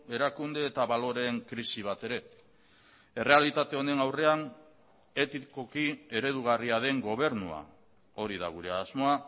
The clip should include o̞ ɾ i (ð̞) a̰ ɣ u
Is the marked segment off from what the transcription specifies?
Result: no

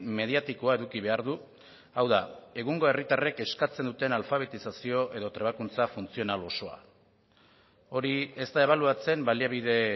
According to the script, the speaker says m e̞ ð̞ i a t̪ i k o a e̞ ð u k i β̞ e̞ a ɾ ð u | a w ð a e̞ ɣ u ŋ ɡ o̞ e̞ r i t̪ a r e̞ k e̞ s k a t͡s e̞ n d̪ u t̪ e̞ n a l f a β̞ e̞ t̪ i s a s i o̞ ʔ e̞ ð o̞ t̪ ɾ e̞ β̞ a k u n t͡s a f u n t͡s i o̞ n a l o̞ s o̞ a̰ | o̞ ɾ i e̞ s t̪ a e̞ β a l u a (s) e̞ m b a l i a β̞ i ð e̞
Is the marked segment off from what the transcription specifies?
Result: yes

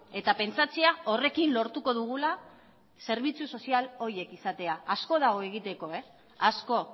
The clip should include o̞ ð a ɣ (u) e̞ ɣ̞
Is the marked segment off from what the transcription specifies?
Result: yes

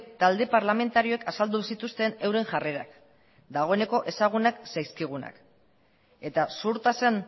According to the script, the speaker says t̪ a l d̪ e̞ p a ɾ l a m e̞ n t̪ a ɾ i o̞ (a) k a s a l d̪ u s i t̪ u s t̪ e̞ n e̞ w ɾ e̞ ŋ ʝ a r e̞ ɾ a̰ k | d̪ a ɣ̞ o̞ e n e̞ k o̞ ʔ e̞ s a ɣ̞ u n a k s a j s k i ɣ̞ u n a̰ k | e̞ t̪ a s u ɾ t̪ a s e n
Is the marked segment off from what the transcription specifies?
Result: yes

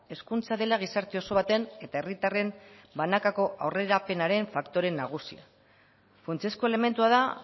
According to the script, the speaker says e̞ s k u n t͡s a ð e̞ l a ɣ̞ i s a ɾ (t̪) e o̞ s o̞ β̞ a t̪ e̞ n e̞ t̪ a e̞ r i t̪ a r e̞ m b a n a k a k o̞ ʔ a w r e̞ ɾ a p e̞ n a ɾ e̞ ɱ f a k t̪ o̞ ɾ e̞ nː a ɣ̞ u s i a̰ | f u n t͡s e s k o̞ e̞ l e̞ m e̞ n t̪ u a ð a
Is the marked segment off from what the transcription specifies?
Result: no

